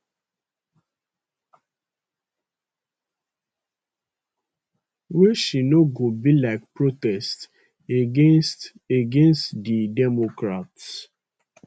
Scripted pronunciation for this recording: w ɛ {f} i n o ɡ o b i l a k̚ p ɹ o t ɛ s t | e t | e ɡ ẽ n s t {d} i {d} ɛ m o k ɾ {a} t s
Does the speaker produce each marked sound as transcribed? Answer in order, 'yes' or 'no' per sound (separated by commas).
no, yes, yes, yes